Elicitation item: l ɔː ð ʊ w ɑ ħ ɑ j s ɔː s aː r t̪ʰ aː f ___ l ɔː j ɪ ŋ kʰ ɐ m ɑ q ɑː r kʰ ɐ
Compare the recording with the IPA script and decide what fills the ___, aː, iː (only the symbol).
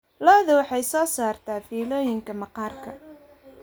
iː